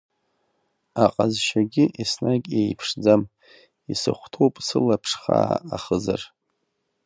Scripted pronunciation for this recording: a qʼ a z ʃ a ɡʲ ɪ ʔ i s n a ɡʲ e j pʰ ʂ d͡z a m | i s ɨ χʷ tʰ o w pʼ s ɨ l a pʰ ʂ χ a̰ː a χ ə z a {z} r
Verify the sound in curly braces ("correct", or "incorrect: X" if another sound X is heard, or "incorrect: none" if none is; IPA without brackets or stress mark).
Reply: incorrect: none